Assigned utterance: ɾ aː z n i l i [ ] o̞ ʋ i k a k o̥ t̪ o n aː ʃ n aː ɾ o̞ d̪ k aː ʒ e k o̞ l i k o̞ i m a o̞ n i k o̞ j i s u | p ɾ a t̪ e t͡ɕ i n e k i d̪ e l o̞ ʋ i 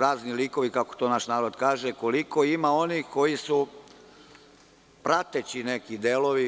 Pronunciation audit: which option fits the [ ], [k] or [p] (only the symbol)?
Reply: k